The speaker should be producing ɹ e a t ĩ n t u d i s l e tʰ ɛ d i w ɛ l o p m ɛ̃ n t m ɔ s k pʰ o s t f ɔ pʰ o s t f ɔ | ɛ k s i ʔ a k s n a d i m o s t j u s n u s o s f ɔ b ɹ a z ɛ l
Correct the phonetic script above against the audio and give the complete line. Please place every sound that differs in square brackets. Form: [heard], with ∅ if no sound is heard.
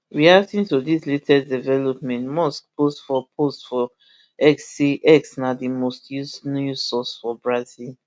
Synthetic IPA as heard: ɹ [i] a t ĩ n t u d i s l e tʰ ɛ d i [v] ɛ l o p m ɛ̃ n t m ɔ s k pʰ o s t f ɔ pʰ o s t f ɔ | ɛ k s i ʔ [ɛ] k s n a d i m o s t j u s n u s [ɔ] s f ɔ b ɹ a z [i] l